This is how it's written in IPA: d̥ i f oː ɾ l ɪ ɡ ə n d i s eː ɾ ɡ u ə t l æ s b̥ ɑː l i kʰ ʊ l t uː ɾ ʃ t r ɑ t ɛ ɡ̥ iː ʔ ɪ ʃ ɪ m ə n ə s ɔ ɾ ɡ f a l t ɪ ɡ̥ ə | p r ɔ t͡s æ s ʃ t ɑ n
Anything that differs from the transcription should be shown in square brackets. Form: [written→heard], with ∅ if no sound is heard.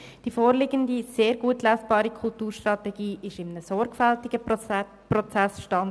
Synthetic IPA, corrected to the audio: d̥ i f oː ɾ l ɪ ɡ ə n d i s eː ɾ ɡ u ə t l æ s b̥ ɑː [l→ɾ] i kʰ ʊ l t uː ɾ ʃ t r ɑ t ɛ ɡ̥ iː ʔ ɪ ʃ ɪ m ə n ə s ɔ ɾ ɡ f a l t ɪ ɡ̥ ə | p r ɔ t͡s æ s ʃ t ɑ n